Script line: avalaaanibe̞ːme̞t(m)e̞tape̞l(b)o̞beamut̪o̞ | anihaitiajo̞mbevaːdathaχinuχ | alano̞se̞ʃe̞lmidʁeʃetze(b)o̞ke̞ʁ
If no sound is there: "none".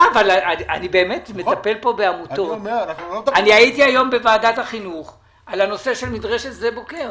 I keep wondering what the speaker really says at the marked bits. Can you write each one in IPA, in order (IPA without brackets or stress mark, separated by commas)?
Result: m, p, b